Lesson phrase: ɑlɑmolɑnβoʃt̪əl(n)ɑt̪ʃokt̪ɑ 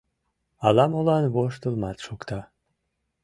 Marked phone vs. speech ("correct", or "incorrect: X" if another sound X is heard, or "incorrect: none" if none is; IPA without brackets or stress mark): incorrect: m